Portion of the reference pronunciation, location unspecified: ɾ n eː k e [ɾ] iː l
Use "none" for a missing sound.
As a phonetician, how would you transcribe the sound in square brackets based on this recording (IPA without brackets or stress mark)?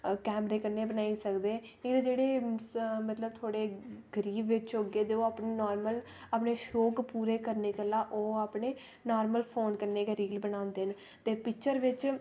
ɾ